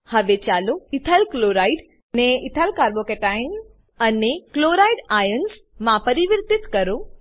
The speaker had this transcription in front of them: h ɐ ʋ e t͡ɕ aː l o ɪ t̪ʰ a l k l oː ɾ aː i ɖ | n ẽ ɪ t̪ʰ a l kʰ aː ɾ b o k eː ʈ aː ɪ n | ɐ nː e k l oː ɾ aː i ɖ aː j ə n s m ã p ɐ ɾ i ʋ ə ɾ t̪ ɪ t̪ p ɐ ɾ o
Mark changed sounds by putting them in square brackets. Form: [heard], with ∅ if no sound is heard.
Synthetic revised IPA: h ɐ ʋ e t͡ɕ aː l o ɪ t̪ʰ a l k l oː ɾ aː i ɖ | n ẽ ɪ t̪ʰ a l [k] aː ɾ b o k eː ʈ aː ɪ n | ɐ [n] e k l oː ɾ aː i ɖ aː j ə n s m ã p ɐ ɾ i ʋ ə ɾ t̪ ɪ t̪ [k] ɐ ɾ o

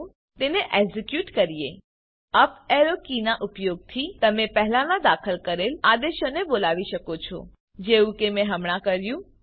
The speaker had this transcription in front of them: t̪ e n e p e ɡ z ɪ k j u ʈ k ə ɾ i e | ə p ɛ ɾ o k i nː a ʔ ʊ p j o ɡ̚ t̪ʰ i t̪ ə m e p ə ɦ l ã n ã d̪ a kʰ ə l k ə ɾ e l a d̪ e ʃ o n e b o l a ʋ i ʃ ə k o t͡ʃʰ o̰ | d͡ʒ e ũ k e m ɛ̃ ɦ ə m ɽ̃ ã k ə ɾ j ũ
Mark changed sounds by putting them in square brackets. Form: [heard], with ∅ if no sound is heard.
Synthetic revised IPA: t̪ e n e [ʔ] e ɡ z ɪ k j u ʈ k ə ɾ i e | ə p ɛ ɾ o k i [n] a ʔ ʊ p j o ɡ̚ t̪ʰ i t̪ ə m e p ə ɦ l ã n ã d̪ a kʰ ə l k ə ɾ e l a d̪ e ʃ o n e b o l a ʋ i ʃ ə k o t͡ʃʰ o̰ | d͡ʒ e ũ k e m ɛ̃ ɦ ə m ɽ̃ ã k ə ɾ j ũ

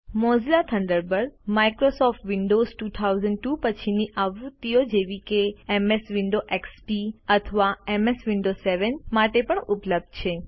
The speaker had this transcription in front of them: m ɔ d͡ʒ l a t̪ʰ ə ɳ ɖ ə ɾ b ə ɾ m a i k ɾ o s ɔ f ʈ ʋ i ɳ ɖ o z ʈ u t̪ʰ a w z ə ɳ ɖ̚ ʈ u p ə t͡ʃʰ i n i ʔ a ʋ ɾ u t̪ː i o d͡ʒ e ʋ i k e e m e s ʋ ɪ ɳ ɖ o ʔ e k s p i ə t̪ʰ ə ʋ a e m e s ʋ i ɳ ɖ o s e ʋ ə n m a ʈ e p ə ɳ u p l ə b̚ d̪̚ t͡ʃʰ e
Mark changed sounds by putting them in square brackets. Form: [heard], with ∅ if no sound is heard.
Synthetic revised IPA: m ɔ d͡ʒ l a t̪ʰ ə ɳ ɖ ə ɾ b ə ɾ m a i k ɾ o s ɔ f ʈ ʋ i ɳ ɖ o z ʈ u t̪ʰ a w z ə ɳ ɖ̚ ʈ u p ə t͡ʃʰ i n i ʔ a ʋ ɾ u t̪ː i o d͡ʒ e ʋ i k e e m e s ʋ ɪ ɳ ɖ o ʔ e k s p i ə t̪ʰ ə ʋ a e m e s ʋ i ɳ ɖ o s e ʋ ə n m a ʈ e p ə ɳ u p l ə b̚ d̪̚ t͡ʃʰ e

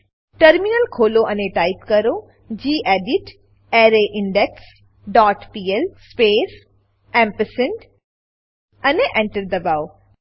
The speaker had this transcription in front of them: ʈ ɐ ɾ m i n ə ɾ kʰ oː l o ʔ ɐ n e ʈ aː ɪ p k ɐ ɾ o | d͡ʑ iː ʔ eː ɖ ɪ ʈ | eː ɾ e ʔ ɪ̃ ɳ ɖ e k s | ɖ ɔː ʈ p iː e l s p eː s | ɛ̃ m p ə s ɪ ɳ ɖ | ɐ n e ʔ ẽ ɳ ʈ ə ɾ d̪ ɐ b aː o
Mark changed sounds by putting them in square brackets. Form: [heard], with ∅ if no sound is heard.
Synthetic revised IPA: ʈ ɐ ɾ m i n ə [l] kʰ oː l o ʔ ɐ n e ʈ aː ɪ p k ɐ ɾ o | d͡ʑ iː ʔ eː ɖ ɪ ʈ | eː ɾ e ʔ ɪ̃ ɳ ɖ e k s | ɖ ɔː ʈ p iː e l s p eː s | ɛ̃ m p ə s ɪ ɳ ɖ | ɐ n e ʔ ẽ ɳ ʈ ə ɾ d̪ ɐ b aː o

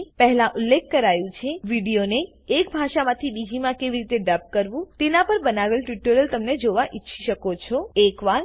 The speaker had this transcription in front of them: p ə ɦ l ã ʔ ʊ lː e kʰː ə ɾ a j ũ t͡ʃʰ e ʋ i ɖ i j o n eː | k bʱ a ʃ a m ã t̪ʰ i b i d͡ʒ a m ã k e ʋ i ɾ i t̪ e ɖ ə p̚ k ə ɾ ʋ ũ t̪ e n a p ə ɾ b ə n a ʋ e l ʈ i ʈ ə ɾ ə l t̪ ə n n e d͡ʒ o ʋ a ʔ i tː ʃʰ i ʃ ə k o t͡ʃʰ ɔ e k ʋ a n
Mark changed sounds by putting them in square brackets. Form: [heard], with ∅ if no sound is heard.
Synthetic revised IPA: p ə ɦ l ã ʔ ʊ lː e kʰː ə ɾ a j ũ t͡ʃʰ e ʋ i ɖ i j o n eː | k bʱ a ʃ a m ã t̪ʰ i b i d͡ʒ [i] m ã k e ʋ i ɾ i t̪ e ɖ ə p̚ k ə ɾ ʋ ũ t̪ e n a p ə ɾ b ə n a ʋ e l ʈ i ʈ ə ɾ ə l t̪ ə [m] n e d͡ʒ o ʋ a ʔ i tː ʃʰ i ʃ ə k o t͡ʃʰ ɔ e k ʋ a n

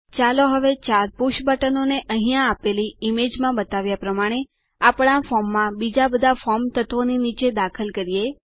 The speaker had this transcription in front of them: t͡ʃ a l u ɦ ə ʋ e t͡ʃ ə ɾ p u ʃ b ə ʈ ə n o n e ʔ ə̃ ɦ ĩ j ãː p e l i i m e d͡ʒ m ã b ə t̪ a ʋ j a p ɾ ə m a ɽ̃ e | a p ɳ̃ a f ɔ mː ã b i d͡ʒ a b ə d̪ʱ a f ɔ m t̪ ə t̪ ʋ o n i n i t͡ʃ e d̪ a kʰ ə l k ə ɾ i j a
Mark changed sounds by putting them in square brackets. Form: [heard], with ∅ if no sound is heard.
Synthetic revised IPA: t͡ʃ a l [o] ɦ ə ʋ e t͡ʃ [a] ɾ p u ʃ b ə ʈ ə n o n e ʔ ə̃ ɦ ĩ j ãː p e l i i m e d͡ʒ m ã b ə t̪ a ʋ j a p ɾ ə m a ɽ̃ e | a p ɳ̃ a f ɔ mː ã b i d͡ʒ a b ə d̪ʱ a f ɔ m t̪ ə t̪ ʋ o n i n i t͡ʃ e d̪ a kʰ ə l k ə ɾ i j [e]

